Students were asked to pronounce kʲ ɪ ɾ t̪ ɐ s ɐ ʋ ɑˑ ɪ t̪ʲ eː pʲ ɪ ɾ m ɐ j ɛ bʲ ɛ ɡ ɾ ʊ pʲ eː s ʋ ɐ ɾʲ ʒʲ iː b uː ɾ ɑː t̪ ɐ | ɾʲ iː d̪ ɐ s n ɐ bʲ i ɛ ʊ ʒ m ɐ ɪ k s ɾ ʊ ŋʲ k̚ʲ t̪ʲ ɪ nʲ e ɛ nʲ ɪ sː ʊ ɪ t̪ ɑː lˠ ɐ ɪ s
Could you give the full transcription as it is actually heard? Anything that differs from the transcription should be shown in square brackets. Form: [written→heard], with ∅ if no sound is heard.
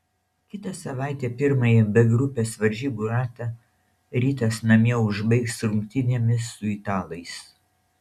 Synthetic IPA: kʲ ɪ [ɾ→∅] t̪ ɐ s ɐ ʋ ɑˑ ɪ t̪ʲ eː pʲ ɪ ɾ m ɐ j ɛ bʲ ɛ ɡ ɾ ʊ pʲ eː s ʋ ɐ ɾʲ ʒʲ iː b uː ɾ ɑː t̪ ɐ | ɾʲ iː [d̪→t̪] ɐ s n ɐ [bʲ→mʲ] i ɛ ʊ ʒ [m→b] ɐ ɪ k s ɾ ʊ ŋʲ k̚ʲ t̪ʲ ɪ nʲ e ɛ [nʲ→mʲ] ɪ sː ʊ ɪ t̪ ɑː lˠ ɐ ɪ s